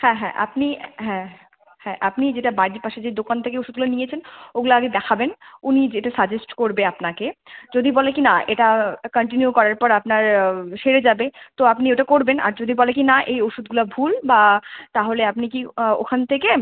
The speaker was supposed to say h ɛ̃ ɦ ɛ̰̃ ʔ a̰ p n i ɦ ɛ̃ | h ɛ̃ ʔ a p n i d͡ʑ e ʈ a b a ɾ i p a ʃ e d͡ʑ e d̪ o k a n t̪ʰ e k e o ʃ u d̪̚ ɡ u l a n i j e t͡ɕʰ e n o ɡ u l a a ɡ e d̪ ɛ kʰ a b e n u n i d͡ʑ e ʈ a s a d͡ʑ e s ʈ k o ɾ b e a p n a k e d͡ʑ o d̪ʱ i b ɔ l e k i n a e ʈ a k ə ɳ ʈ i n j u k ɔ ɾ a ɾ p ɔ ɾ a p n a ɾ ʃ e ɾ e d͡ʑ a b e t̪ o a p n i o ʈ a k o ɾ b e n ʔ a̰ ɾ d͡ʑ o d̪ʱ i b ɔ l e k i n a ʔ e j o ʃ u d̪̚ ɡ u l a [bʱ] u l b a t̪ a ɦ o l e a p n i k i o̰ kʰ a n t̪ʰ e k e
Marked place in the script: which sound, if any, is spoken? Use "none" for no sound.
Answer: bʱ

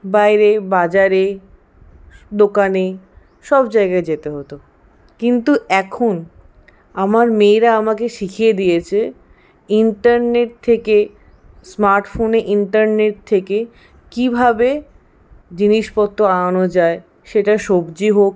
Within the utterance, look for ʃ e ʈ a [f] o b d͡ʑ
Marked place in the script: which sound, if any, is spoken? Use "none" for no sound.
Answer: ʃ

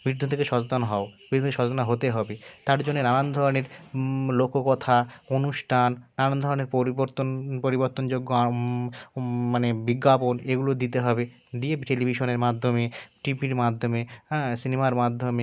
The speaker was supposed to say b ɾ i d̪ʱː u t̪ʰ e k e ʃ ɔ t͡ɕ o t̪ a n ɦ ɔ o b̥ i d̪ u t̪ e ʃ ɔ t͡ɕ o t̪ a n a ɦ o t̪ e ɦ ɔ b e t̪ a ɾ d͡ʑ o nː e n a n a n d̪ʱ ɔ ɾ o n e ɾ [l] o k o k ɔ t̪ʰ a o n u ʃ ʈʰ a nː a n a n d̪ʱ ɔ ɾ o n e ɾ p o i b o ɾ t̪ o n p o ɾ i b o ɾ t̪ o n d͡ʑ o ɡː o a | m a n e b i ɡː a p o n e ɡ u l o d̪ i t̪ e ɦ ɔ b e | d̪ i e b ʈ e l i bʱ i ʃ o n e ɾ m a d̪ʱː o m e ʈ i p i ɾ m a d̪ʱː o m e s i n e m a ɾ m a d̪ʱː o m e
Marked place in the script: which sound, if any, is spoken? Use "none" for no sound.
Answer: l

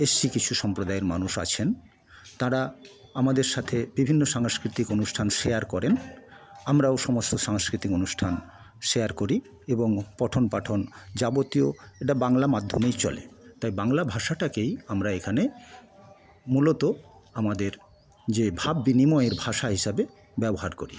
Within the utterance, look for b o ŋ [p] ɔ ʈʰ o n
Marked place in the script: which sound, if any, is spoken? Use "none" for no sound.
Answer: p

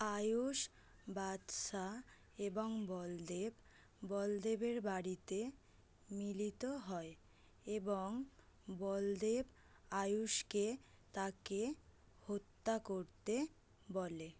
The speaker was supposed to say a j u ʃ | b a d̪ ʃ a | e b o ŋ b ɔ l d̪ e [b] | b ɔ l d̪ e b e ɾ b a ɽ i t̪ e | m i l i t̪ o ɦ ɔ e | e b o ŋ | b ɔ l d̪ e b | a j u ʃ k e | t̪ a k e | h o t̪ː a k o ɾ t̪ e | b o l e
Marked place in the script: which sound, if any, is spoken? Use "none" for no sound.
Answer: b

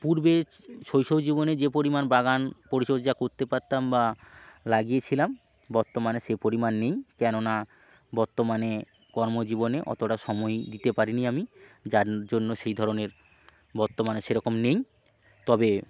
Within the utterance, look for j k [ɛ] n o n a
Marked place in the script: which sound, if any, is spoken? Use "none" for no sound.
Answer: ɛ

